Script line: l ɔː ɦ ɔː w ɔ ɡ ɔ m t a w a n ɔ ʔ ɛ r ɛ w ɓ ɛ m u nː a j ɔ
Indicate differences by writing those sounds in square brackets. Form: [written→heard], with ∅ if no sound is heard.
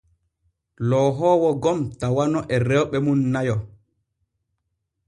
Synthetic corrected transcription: l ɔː ɦ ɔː w ɔ ɡ ɔ m t a w a n ɔ ʔ ɛ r ɛ w ɓ ɛ m u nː a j ɔ

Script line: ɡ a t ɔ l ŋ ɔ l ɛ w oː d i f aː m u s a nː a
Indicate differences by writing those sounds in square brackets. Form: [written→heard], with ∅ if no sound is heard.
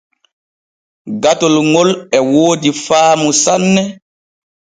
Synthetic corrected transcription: ɡ a t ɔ l ŋ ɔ l ɛ w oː d i f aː m u s a nː [a→ɛ]

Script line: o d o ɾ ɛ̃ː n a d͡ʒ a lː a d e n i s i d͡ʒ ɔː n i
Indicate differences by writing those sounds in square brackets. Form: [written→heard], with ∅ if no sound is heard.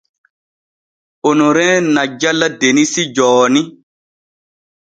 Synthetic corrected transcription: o [d→n] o ɾ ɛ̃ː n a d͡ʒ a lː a d e n i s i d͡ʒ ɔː n i

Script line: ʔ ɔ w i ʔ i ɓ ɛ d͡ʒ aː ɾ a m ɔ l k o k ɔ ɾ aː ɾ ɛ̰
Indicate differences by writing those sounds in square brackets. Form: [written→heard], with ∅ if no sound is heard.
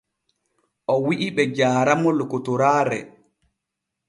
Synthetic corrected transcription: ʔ ɔ w i ʔ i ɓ ɛ d͡ʒ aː ɾ a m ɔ l k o [k→t] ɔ ɾ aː ɾ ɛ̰

